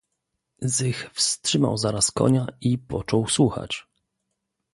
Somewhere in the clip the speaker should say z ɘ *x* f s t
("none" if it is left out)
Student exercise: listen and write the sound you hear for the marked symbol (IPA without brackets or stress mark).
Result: x